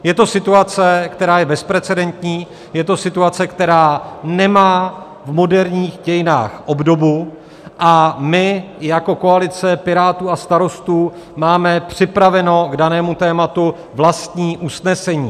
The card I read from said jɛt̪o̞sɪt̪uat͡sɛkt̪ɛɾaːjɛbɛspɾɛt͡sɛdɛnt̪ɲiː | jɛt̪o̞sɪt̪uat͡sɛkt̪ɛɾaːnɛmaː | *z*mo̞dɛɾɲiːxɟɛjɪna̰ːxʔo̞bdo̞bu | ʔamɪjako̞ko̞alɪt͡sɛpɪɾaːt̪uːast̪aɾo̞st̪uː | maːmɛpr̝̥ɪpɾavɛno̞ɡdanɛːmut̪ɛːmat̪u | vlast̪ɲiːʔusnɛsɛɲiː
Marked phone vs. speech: incorrect: v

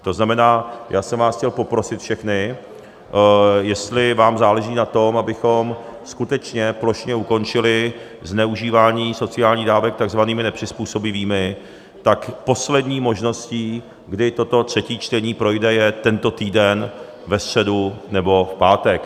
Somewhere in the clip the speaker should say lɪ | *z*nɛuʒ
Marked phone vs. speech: correct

